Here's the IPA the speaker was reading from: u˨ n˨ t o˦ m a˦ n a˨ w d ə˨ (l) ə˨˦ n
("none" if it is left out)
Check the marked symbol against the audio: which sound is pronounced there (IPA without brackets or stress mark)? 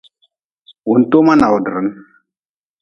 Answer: ɾ